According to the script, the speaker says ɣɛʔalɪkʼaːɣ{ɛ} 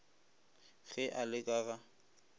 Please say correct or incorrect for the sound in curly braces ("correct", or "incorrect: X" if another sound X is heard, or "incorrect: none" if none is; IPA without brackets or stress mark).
incorrect: a